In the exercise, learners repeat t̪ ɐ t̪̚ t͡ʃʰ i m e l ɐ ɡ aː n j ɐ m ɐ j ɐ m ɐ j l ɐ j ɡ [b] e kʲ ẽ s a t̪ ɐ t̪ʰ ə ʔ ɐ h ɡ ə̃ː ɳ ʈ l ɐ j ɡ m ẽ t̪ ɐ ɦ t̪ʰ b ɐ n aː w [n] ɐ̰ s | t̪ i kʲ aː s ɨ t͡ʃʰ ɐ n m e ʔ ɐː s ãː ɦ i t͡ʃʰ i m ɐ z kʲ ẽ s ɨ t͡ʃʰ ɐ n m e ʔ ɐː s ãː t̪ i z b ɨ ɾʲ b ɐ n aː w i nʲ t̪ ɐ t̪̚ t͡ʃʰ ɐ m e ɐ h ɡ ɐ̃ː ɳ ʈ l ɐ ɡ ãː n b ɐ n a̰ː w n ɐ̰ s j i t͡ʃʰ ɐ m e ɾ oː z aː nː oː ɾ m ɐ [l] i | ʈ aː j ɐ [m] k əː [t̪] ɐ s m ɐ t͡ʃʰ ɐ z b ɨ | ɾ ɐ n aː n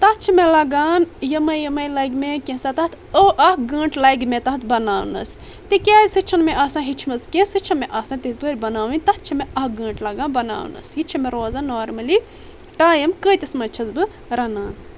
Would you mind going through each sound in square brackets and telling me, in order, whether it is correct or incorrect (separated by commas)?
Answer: incorrect, correct, correct, correct, correct